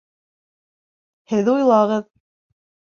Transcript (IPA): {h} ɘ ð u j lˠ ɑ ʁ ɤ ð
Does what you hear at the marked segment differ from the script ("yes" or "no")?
no